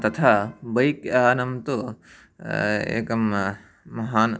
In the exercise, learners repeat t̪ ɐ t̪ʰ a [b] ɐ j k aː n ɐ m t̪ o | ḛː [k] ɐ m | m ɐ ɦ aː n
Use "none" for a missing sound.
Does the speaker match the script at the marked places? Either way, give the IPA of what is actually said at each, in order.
b, k

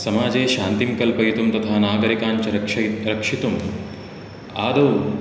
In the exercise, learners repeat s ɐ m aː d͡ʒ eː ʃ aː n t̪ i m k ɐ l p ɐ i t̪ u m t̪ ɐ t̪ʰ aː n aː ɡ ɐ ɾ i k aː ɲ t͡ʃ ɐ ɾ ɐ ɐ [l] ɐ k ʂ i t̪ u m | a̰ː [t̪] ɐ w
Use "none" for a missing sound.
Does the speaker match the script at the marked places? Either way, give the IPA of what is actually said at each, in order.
ɾ, d̪

